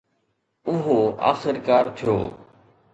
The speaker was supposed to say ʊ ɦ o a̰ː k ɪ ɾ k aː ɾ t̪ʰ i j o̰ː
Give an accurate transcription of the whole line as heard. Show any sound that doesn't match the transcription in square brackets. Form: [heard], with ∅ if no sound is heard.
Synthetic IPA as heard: ʊ ɦ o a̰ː [x] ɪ ɾ k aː ɾ t̪ʰ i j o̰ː